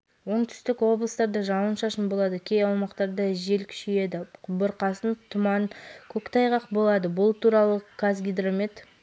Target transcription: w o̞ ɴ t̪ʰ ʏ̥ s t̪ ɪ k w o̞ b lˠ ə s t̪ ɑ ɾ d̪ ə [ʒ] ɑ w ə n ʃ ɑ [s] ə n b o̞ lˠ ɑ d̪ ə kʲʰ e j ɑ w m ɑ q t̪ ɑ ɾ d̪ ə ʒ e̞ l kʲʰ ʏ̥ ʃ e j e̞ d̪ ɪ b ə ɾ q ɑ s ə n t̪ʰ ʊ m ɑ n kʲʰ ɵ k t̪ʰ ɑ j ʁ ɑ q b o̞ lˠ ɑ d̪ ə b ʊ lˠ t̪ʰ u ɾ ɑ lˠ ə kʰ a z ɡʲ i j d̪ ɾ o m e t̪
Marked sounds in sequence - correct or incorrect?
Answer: correct, incorrect

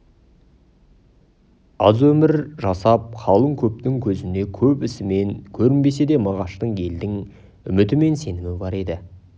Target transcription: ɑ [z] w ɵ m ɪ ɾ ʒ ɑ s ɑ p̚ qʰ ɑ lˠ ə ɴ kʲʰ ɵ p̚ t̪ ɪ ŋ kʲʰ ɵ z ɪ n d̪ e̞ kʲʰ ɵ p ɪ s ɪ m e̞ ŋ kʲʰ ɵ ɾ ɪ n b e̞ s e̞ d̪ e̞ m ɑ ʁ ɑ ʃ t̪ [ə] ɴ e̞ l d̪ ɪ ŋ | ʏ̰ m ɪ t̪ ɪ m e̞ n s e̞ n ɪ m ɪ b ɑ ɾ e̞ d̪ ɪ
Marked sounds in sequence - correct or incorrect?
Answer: correct, correct

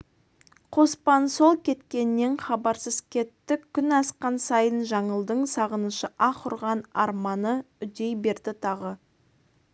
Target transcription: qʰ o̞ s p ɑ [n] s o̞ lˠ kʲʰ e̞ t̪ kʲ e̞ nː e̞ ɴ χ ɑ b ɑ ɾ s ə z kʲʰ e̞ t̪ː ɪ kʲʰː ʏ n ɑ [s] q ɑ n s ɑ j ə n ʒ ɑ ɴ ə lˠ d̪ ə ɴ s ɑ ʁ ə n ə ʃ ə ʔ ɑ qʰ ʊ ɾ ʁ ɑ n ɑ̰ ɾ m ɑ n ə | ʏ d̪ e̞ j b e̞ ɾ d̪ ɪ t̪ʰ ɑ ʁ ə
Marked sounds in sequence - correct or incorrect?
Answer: correct, correct

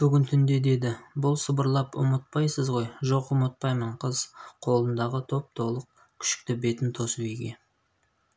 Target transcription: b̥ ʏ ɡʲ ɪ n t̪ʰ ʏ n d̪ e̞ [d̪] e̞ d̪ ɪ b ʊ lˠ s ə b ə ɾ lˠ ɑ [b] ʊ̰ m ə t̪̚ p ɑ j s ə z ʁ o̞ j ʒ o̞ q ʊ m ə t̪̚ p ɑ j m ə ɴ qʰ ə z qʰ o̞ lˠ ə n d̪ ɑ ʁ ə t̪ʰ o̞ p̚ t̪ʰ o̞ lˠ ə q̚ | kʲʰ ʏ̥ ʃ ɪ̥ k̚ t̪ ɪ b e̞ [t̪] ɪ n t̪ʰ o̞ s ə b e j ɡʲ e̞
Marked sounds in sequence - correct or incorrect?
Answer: correct, incorrect, correct

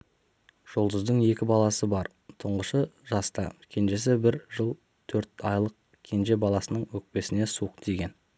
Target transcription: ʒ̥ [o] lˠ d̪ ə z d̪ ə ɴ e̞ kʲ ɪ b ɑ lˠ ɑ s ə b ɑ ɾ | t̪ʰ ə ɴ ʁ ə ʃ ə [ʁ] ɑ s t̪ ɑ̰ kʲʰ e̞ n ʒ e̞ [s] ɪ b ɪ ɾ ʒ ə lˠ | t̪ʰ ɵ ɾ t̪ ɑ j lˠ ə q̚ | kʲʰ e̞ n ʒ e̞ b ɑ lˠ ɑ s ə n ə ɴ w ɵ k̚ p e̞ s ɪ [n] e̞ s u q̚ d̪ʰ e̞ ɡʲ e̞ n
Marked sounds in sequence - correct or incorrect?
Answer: correct, incorrect, correct, correct

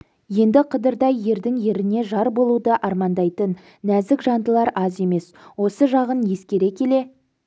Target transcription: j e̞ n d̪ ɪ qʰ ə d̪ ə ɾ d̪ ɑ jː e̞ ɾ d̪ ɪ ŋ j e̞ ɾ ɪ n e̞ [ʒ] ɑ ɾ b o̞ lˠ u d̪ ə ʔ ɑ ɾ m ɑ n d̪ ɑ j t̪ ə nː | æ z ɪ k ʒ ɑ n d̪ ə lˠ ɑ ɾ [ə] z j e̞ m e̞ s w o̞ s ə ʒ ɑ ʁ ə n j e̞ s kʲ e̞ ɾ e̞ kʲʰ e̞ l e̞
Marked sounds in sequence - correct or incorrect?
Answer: correct, incorrect

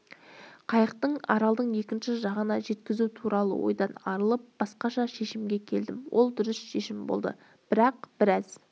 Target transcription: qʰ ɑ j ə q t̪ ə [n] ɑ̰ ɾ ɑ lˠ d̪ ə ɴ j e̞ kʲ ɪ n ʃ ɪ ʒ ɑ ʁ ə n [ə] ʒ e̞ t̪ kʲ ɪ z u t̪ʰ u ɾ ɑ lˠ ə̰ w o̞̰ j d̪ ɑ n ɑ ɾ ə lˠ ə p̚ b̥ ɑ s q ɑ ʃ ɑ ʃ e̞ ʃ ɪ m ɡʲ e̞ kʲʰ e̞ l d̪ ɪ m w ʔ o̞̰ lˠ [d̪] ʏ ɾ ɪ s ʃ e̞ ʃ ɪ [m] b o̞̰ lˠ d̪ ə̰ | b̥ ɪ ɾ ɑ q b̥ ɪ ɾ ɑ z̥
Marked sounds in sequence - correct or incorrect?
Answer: incorrect, incorrect, correct, correct

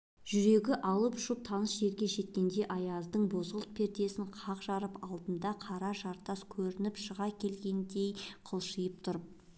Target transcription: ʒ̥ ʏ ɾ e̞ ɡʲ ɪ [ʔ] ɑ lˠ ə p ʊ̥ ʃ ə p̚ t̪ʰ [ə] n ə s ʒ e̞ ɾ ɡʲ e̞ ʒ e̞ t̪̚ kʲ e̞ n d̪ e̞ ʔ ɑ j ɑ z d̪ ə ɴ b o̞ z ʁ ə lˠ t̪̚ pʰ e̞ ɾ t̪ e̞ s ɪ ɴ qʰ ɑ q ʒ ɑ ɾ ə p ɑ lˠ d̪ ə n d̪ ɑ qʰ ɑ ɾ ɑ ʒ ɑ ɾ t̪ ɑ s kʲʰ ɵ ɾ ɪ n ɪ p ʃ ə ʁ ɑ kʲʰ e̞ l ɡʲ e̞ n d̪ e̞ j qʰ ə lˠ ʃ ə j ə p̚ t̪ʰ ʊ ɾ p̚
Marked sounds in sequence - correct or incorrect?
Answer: correct, incorrect

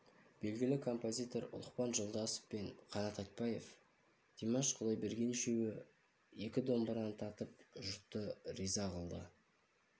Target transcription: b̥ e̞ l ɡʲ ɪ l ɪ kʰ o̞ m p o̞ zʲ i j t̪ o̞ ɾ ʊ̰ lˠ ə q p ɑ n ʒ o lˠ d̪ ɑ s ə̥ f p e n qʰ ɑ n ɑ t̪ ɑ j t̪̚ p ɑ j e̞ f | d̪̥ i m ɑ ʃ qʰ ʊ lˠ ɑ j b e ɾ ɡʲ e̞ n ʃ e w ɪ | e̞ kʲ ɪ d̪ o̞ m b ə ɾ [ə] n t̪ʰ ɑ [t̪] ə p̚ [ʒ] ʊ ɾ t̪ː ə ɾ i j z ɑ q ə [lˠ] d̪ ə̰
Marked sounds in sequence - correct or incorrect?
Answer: incorrect, correct, correct, correct

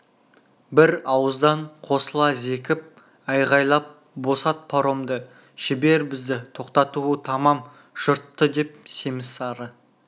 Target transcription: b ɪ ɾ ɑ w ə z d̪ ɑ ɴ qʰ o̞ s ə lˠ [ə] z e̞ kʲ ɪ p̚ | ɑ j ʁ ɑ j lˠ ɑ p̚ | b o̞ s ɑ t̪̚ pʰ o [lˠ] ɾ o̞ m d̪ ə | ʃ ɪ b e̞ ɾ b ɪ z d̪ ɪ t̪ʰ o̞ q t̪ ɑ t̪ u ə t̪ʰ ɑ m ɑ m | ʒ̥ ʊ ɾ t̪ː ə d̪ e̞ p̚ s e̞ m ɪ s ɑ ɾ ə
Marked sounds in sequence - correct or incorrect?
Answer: incorrect, incorrect

